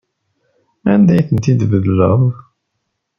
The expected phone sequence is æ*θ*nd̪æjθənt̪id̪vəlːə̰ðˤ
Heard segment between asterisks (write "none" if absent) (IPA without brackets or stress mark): none